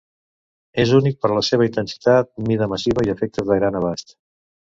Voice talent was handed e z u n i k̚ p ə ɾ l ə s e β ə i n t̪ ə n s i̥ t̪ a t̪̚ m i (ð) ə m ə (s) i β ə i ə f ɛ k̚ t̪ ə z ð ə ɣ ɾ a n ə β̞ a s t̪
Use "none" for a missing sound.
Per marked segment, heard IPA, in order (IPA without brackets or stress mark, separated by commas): ð, s